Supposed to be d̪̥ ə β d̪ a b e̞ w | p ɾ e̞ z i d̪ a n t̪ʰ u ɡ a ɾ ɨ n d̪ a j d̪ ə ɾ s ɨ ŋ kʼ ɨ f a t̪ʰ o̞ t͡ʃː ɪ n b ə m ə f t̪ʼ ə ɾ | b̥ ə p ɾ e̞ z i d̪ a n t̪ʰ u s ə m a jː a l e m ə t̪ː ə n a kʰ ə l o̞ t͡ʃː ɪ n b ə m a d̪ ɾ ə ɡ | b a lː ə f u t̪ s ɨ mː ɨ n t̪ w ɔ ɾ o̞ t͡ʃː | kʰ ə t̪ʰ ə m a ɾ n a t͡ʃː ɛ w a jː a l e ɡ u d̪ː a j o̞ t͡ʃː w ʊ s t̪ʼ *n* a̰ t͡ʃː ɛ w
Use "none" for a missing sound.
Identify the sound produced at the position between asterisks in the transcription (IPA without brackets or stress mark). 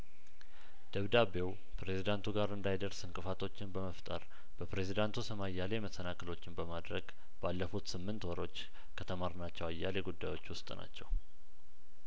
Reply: n